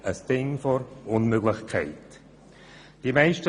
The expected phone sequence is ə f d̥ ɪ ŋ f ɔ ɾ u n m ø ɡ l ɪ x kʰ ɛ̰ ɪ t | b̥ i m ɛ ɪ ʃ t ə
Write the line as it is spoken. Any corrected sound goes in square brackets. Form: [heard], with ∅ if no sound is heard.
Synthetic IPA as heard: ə [s] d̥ ɪ ŋ f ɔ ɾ [ʊ] n m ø ɡ l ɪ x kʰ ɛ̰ ɪ t | [d̥] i m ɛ ɪ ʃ t ə